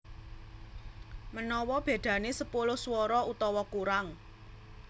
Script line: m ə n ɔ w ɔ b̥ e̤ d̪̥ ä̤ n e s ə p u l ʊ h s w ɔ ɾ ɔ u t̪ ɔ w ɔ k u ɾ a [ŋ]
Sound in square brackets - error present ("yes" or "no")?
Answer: no